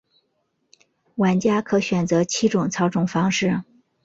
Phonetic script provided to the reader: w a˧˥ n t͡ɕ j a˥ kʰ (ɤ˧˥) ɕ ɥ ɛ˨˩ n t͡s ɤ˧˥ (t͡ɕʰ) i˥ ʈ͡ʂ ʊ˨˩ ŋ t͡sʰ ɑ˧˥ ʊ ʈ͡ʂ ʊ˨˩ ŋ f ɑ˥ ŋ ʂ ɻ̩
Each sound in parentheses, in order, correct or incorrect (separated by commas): correct, correct